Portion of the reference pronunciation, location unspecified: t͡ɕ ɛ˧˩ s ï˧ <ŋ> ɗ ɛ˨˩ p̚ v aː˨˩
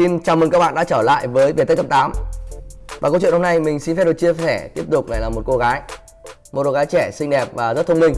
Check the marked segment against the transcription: correct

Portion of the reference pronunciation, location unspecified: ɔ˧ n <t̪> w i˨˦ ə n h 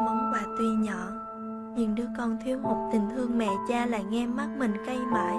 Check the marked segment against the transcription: incorrect: t̪ʰ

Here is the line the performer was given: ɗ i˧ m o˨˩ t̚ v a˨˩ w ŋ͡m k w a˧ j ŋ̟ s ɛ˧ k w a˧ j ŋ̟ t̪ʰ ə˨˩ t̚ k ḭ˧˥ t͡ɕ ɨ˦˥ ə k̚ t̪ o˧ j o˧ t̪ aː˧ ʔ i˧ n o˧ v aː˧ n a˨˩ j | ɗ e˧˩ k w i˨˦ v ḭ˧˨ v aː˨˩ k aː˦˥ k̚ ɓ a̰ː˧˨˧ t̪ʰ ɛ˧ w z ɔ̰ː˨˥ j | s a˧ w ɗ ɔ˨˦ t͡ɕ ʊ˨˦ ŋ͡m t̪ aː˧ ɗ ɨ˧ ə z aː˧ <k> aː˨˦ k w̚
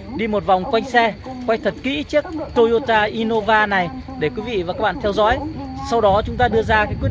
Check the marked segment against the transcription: correct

